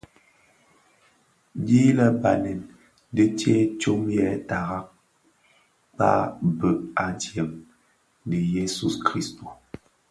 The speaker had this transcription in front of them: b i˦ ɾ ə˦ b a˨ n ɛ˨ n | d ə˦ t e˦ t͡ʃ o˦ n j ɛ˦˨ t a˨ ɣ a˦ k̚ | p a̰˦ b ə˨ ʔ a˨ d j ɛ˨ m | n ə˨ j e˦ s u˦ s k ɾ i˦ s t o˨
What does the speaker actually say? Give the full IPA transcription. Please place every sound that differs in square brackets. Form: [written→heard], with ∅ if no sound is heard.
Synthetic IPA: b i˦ [ɾ→l] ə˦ b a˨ n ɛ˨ n | d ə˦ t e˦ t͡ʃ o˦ [n→m] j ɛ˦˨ t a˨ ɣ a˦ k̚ | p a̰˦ b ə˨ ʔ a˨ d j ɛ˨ m | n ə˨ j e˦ s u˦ s k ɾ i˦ s t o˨